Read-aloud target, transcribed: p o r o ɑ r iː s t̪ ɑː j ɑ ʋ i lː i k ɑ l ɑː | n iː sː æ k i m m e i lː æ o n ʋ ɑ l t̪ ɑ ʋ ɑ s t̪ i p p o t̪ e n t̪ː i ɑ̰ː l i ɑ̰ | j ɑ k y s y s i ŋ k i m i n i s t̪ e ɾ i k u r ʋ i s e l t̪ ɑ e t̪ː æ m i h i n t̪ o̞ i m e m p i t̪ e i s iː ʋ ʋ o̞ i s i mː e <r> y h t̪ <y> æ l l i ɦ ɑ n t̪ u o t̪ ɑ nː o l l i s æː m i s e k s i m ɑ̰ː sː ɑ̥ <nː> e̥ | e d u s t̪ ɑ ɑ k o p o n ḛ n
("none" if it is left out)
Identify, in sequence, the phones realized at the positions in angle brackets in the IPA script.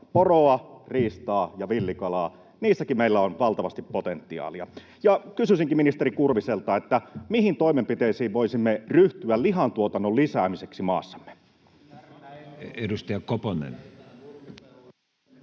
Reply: r, y, mː

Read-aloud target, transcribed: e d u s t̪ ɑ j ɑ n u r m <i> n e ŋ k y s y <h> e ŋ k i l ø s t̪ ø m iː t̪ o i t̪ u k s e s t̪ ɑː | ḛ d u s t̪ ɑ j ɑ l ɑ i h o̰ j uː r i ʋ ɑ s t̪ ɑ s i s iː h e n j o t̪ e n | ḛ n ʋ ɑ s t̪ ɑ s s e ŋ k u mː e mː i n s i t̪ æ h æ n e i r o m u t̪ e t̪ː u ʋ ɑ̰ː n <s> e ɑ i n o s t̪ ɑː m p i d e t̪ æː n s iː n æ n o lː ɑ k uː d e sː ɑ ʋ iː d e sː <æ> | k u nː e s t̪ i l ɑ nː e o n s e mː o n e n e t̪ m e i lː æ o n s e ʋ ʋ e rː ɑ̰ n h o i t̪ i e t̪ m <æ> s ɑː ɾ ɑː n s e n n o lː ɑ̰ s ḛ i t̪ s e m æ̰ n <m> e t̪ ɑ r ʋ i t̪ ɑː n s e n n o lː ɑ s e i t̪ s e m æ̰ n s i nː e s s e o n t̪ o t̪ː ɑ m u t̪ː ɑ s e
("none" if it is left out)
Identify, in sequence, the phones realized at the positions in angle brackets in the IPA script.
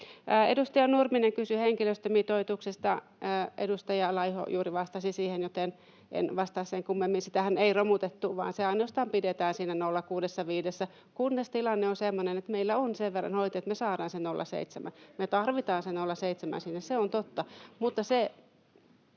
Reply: i, h, s, æ, e, m

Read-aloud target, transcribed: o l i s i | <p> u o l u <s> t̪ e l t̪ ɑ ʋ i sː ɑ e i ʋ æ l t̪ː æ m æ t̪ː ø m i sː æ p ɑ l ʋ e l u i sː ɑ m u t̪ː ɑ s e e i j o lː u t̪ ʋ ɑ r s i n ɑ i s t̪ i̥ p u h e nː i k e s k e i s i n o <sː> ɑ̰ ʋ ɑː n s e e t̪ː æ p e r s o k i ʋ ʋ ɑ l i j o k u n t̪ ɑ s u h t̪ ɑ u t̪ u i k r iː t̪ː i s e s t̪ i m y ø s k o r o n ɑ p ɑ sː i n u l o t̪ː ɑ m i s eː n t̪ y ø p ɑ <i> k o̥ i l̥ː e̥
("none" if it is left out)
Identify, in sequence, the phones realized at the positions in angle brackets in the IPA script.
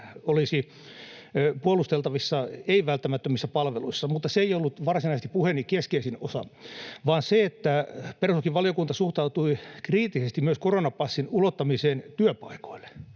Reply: p, s, s, i

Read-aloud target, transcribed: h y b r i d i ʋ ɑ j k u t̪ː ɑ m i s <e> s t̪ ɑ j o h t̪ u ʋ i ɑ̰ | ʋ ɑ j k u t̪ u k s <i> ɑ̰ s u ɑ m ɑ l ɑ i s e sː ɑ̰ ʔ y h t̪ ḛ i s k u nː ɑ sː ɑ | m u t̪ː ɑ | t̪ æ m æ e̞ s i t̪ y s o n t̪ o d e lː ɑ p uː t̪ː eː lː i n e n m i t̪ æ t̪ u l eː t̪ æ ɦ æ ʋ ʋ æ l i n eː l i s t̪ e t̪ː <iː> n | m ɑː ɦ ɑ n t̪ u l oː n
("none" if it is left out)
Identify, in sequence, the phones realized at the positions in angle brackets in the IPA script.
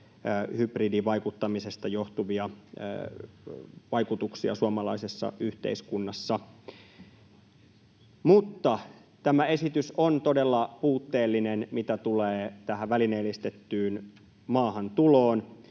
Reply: e, i, yː

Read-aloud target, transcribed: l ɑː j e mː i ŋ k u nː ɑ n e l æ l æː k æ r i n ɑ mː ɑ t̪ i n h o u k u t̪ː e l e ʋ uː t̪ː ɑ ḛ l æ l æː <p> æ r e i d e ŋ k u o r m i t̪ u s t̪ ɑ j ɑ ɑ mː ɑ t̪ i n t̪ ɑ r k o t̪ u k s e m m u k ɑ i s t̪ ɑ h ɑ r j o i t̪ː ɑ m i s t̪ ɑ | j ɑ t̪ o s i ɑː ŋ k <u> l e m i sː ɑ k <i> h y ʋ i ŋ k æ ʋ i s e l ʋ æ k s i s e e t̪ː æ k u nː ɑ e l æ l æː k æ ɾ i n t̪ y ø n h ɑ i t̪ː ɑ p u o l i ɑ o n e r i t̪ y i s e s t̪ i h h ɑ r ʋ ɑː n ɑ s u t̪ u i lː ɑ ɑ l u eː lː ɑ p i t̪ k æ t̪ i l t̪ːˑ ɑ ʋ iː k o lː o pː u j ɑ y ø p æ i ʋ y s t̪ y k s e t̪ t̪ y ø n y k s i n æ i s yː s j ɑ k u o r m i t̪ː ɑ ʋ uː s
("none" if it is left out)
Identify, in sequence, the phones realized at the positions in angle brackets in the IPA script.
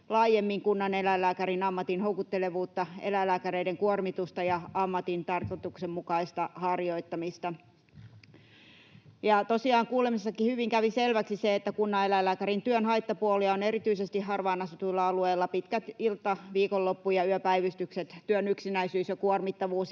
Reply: k, uː, i

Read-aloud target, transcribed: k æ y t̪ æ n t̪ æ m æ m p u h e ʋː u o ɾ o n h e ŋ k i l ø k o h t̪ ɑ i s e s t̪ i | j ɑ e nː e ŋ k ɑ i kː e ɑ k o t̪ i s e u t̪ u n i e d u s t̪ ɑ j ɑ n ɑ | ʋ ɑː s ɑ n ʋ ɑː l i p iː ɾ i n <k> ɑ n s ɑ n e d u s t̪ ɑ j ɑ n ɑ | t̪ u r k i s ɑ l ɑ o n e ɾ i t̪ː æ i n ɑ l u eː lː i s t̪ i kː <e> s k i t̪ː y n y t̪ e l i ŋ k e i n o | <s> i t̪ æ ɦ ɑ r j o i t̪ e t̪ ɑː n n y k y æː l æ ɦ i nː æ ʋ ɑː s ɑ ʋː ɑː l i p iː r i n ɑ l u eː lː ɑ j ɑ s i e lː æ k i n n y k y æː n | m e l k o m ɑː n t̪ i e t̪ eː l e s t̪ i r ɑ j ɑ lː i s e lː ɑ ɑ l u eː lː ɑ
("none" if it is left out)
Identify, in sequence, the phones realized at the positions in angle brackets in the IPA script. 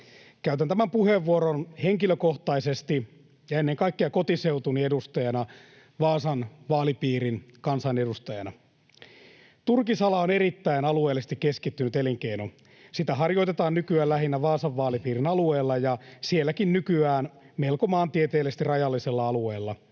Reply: k, e, s

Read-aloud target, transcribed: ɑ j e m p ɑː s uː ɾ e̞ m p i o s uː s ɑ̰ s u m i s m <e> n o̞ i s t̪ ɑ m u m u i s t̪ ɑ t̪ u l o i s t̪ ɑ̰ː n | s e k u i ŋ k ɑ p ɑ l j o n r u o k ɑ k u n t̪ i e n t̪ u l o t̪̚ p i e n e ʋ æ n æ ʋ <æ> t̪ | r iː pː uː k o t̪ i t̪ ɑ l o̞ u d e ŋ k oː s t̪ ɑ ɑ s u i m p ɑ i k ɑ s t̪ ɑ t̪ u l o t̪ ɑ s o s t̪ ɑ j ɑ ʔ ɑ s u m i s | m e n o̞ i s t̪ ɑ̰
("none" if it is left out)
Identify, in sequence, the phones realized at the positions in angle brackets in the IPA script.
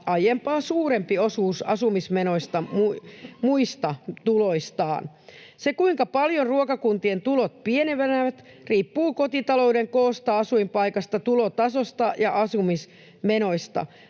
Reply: e, æ

